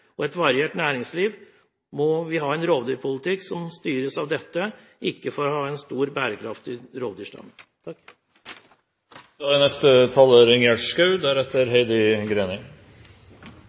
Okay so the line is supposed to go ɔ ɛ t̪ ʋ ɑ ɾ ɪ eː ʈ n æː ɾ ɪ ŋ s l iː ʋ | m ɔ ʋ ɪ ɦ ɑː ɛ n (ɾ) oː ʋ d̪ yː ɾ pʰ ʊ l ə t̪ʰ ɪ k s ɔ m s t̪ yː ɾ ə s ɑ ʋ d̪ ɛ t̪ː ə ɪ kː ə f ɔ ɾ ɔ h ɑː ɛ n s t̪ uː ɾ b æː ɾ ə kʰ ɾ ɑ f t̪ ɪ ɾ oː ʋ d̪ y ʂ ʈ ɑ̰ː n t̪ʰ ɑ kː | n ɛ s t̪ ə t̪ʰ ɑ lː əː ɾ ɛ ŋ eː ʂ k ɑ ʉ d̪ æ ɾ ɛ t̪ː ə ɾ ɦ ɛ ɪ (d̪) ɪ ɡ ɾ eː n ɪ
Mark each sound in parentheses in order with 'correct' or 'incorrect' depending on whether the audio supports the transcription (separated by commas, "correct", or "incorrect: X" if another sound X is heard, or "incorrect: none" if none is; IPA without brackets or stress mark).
correct, correct